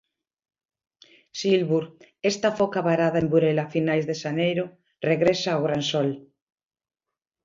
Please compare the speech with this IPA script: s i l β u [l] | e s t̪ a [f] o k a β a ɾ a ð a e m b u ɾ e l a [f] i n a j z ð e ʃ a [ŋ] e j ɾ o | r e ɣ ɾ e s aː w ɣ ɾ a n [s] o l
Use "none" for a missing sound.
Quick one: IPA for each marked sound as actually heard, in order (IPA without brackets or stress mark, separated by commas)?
ɾ, f, f, n, s